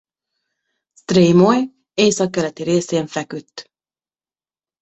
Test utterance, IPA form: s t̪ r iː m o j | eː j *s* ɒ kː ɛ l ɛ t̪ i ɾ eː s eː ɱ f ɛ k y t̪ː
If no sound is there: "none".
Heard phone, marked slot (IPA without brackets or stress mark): s